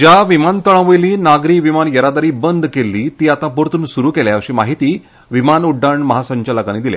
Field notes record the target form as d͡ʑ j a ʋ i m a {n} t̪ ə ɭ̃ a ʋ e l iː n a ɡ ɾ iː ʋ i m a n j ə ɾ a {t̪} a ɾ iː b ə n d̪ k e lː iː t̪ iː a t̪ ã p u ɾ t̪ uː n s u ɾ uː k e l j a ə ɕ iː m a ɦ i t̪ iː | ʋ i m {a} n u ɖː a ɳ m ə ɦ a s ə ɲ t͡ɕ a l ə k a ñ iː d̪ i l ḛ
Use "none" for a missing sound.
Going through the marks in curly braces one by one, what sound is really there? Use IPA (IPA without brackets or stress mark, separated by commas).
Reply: n, d̪, a